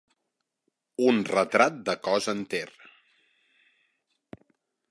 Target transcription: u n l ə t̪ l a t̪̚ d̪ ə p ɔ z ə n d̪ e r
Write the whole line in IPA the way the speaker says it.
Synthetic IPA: u n r ə t̪ ɾ a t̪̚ d̪ ə k ɔ z ə n t̪ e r